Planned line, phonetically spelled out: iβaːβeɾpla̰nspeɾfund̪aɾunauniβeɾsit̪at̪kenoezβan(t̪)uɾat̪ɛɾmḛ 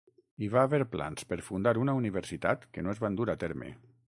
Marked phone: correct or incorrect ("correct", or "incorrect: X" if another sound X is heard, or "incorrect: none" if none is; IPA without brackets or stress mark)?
incorrect: d̪